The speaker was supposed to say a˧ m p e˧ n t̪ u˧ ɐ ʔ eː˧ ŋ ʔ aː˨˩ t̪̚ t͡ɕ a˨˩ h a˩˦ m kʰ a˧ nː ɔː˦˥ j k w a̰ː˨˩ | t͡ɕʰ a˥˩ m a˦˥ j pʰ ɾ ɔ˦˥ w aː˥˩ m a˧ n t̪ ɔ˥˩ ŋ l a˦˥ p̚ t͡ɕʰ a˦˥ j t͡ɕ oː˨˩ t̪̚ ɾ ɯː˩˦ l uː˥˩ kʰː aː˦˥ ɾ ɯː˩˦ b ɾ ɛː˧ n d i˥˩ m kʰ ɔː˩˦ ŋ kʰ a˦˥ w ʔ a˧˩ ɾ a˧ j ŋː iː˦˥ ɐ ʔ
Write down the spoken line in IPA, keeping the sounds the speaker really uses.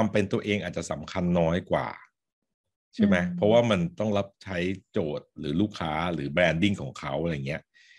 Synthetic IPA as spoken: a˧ m p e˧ n t̪ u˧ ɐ ʔ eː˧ ŋ ʔ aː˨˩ t̪̚ t͡ɕ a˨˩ s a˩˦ m kʰ a˧ nː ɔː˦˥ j k w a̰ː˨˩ | t͡ɕʰ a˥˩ m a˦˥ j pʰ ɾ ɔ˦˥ w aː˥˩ m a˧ n t̪ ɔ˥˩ ŋ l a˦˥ p̚ t͡ɕʰ a˦˥ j t͡ɕ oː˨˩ t̪̚ ɾ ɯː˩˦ l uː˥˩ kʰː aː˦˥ ɾ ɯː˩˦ b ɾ ɛː˧ n d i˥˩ ŋ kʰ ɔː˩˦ ŋ kʰ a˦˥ w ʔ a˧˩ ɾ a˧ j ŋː i˦˥ ɐ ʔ